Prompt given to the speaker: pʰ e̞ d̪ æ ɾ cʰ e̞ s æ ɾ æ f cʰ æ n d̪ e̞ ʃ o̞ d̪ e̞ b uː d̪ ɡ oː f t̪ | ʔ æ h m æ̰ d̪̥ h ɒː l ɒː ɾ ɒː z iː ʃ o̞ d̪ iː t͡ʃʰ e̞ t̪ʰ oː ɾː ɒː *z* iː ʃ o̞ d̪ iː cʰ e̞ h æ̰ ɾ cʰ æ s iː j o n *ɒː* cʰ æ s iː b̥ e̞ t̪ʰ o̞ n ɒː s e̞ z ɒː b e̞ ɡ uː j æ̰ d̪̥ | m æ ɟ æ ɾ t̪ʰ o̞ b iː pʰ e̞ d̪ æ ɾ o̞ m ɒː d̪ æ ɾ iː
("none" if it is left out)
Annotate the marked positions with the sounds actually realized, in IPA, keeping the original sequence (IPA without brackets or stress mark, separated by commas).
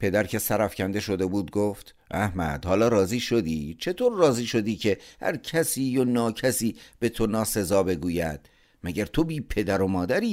z, ɒː